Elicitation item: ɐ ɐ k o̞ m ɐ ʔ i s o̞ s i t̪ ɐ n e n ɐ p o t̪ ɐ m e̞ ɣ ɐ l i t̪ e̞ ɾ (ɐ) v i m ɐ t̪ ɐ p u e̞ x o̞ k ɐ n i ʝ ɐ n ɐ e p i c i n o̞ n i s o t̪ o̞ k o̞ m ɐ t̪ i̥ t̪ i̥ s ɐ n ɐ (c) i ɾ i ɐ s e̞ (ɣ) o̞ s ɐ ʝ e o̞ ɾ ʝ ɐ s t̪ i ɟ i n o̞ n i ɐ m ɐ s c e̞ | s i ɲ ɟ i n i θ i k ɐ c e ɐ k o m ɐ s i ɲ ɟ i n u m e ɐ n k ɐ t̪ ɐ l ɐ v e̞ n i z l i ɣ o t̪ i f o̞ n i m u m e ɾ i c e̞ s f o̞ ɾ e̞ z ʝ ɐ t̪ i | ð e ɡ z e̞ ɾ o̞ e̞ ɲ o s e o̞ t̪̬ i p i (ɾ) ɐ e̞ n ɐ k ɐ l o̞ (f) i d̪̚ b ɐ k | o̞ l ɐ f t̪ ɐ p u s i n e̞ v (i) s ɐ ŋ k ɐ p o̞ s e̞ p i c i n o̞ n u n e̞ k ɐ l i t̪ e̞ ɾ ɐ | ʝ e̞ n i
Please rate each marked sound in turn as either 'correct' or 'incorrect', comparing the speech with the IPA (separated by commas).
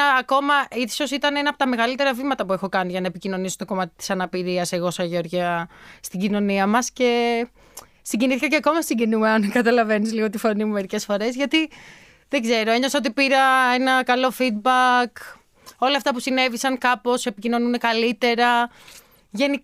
correct, incorrect, correct, correct, correct, correct